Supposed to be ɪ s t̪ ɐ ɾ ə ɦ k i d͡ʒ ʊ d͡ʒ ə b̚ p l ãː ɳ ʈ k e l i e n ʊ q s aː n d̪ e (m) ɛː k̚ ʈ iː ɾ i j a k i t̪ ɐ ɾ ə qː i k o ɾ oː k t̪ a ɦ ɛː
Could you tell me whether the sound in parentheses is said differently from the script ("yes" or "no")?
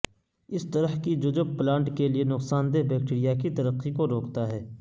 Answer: yes